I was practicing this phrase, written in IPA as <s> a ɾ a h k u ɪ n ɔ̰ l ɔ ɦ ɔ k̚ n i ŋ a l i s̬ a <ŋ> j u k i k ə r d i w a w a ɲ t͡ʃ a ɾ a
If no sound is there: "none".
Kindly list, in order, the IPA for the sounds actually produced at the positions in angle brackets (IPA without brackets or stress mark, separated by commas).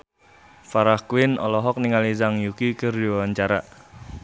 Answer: f, ŋ